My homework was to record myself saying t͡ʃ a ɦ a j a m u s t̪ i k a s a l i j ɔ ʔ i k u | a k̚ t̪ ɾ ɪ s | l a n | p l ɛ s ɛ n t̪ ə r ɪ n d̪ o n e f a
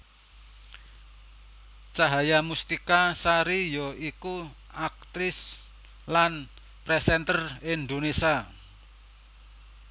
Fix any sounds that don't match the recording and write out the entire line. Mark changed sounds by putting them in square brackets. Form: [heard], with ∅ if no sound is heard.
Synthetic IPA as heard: t͡ʃ a ɦ a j a m u s t̪ i k a s a [ɾ] i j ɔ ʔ i k u | a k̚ t̪ ɾ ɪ s | l a n | p [ɾ] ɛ s ɛ n t̪ ə r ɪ n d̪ o n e [s] a